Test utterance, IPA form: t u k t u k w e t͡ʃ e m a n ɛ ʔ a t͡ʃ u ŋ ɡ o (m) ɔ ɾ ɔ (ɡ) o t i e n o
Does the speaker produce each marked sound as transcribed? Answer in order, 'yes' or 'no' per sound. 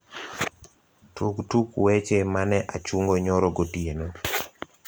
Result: no, yes

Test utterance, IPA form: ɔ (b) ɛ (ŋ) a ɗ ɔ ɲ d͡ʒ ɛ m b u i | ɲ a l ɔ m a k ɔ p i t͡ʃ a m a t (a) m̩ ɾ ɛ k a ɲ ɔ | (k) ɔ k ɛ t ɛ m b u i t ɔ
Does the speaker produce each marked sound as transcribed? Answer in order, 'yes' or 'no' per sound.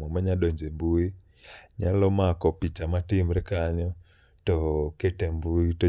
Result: no, no, no, no

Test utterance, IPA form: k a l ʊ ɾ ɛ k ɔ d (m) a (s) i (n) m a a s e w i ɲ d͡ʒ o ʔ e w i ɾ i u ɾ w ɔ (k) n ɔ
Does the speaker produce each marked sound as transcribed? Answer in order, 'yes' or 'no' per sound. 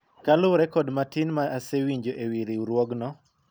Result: yes, no, yes, no

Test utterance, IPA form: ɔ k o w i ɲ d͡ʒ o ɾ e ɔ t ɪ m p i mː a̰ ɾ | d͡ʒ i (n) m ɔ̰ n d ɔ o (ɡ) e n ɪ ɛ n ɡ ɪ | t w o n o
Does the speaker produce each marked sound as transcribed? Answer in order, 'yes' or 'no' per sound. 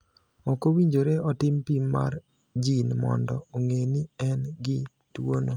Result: yes, no

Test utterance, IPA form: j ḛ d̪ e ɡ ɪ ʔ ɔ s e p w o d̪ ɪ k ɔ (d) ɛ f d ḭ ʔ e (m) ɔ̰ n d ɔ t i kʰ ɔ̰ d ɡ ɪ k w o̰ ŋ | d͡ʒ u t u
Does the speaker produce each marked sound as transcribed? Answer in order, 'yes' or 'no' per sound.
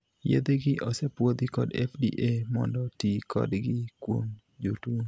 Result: yes, yes

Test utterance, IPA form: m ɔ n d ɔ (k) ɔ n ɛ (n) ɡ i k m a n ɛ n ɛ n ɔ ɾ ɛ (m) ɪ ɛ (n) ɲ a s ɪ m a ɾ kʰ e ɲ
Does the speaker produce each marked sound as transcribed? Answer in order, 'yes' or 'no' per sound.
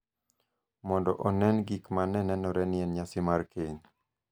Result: no, yes, no, yes

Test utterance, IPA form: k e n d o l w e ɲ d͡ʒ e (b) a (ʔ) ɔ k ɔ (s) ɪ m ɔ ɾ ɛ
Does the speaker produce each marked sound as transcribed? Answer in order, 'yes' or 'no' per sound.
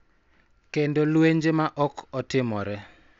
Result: no, yes, no

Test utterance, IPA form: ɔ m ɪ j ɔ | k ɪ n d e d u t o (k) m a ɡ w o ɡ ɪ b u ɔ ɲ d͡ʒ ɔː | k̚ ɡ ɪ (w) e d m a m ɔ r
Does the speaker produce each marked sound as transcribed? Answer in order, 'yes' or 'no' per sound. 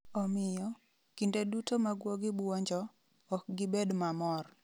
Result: no, no

